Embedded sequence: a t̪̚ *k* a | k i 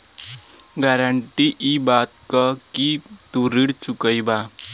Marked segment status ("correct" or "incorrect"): correct